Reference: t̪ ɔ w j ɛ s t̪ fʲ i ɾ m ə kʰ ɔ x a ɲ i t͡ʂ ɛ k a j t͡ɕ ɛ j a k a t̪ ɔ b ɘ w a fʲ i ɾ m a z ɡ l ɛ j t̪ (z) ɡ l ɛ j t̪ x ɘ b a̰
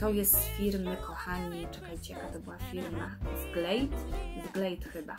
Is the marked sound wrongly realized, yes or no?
no